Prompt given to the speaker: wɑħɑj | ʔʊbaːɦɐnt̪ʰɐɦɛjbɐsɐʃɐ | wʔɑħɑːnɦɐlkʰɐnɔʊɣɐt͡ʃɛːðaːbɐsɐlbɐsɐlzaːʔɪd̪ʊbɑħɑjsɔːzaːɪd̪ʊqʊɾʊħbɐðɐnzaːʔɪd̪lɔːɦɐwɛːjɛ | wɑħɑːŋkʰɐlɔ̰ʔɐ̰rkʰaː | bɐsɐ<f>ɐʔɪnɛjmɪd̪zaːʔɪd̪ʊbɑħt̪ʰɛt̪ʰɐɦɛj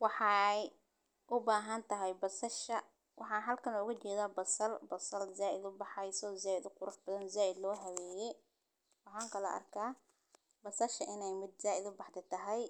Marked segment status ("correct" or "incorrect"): incorrect